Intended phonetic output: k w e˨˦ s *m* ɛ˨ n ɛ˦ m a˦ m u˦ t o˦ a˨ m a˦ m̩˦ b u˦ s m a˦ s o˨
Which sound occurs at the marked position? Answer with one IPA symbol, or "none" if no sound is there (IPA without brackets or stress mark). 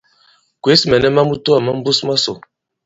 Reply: m